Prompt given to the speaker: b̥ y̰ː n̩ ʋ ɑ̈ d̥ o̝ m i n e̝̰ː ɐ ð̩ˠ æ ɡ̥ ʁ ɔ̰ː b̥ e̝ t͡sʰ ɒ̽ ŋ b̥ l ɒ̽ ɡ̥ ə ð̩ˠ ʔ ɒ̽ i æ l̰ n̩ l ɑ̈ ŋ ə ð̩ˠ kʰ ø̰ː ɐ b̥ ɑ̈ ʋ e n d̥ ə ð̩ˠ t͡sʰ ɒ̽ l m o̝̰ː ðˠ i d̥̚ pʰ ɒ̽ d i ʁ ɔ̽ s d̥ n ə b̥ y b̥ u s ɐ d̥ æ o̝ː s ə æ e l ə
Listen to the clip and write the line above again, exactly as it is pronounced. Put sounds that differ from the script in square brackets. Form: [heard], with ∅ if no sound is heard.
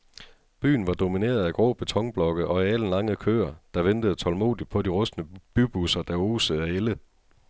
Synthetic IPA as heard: b̥ y̰ː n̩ ʋ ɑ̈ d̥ o̝ m i n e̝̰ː ɐ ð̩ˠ æ ɡ̥ ʁ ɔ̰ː b̥ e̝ t͡sʰ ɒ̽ ŋ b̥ l ɒ̽ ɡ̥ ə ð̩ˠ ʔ ɒ̽ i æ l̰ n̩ l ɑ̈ ŋ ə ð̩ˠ kʰ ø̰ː ɐ [d̥] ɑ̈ ʋ e n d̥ ə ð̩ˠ t͡sʰ ɒ̽ l m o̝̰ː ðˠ i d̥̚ pʰ ɒ̽ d i ʁ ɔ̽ s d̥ n ə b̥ y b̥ u s ɐ d̥ æ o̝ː s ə æ e l ə